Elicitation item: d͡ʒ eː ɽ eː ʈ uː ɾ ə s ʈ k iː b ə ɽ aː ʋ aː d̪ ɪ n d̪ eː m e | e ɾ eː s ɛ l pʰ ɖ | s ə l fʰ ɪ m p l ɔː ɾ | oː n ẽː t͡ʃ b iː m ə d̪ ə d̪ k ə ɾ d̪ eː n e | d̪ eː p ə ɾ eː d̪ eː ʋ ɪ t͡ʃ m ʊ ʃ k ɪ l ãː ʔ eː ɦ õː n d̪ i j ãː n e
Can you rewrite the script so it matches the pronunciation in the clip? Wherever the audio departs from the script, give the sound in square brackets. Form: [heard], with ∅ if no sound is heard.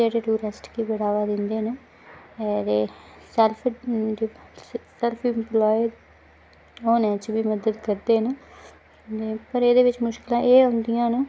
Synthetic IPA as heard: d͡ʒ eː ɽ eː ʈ uː ɾ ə s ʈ k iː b ə ɽ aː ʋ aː d̪ ɪ n d̪ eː [n] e | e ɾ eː s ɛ l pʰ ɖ | s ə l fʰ ɪ m p l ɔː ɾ | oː n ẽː t͡ʃ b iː m ə d̪ ə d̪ k ə ɾ d̪ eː n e | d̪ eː p ə ɾ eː d̪ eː ʋ ɪ t͡ʃ m ʊ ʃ k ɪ l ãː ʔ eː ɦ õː n d̪ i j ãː n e